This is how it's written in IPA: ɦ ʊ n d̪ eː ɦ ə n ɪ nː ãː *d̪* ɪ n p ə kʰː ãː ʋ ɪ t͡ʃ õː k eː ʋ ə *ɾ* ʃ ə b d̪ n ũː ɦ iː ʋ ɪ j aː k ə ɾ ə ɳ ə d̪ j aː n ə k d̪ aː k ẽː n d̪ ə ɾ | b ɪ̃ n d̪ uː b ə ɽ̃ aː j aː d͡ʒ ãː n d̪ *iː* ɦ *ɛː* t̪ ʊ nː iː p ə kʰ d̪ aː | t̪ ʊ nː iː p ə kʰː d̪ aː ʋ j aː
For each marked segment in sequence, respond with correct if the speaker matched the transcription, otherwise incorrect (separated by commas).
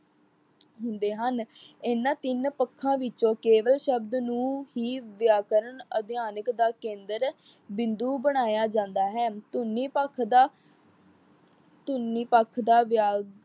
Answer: incorrect, incorrect, incorrect, correct